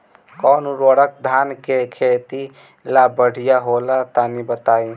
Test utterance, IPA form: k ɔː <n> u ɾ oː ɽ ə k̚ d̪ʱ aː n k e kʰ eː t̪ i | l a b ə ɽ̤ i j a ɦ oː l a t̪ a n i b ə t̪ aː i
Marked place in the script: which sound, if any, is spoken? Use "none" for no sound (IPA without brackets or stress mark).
n